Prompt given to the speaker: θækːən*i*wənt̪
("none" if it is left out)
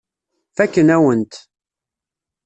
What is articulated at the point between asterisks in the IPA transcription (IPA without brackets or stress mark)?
æ